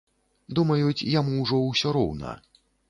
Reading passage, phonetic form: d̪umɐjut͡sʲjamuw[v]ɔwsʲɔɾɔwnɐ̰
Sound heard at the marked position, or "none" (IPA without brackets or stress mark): ʐ